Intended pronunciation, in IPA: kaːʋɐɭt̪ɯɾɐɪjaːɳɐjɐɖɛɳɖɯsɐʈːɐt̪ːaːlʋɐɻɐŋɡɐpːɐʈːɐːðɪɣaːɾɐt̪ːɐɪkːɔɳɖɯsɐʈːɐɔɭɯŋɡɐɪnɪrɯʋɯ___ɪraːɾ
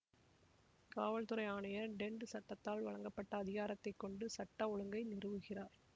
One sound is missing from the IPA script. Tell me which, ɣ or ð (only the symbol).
ɣ